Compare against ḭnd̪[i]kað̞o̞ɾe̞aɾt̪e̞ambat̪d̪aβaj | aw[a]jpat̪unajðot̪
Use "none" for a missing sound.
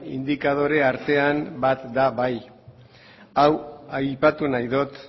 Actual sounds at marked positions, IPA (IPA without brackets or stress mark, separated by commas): i, a